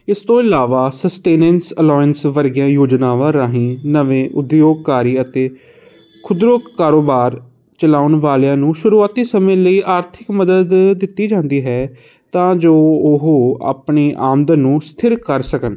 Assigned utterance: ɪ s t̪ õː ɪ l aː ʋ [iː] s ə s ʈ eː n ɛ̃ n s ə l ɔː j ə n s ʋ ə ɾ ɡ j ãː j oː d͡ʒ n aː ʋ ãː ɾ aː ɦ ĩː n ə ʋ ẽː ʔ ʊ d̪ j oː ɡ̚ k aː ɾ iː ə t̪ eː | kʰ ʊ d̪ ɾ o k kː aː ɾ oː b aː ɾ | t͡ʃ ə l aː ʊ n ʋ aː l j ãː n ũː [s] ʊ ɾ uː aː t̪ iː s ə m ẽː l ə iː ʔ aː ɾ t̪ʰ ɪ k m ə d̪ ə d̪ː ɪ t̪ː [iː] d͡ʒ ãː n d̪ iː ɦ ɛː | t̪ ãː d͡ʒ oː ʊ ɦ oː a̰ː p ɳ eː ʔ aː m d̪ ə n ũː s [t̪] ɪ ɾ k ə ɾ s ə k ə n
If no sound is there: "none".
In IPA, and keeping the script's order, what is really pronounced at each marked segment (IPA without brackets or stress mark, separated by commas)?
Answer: aː, ʃ, iː, t̪ʰ